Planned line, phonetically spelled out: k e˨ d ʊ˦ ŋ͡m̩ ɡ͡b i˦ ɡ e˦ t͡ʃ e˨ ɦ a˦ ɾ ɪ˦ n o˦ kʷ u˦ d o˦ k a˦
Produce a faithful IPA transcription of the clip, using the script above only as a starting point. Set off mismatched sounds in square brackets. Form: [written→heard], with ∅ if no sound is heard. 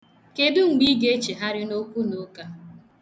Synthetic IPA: k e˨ d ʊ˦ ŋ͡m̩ ɡ͡b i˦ ɡ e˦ t͡ʃ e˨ ɦ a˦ ɾ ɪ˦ n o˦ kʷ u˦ [d→n] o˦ k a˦